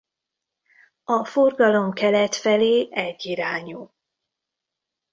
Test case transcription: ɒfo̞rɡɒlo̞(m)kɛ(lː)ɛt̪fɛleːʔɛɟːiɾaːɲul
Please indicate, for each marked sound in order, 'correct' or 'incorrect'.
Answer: correct, incorrect: l

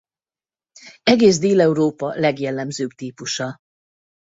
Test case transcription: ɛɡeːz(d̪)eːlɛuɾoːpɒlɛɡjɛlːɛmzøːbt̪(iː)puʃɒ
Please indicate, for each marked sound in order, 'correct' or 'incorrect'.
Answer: correct, correct

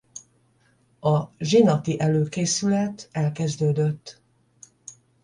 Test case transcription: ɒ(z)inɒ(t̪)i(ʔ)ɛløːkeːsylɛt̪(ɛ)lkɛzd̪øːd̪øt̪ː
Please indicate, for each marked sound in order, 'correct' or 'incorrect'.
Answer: incorrect: ʒ, correct, correct, correct

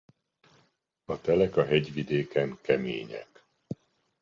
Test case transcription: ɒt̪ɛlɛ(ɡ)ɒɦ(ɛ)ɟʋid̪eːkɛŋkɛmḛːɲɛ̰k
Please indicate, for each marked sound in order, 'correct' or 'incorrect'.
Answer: incorrect: k, correct

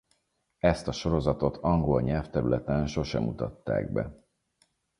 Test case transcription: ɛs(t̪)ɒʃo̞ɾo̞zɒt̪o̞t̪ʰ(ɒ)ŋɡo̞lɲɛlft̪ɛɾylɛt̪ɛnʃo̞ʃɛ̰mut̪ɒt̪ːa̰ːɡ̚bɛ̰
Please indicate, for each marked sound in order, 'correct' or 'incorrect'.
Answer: correct, correct

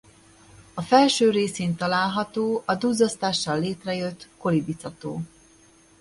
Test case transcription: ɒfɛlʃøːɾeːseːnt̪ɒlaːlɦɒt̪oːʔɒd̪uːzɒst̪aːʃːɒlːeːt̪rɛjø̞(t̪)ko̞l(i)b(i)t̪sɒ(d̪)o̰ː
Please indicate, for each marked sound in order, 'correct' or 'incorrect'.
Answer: correct, correct, correct, incorrect: t̪

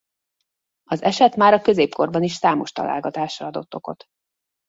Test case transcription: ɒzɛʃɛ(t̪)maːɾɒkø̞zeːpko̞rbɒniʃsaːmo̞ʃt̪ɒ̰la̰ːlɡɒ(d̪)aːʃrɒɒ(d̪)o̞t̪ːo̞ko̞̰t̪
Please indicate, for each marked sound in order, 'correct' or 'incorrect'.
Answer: correct, incorrect: t̪, correct

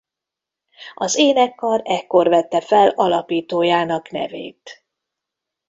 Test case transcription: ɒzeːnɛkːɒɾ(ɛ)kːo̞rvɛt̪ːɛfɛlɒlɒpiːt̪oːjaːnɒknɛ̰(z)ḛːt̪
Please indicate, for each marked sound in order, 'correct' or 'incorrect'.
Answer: correct, incorrect: v

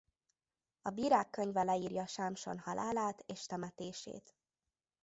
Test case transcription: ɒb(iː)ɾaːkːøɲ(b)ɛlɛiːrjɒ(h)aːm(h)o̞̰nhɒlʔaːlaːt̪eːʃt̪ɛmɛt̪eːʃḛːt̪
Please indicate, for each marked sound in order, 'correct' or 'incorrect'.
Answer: correct, incorrect: v, incorrect: ʃ, incorrect: ʃ

